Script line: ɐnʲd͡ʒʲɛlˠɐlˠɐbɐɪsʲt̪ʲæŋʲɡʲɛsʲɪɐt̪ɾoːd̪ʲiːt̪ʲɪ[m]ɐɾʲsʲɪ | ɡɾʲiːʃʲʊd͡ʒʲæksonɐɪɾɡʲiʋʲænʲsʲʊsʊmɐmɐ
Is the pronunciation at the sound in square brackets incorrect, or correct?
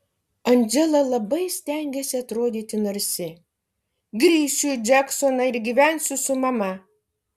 incorrect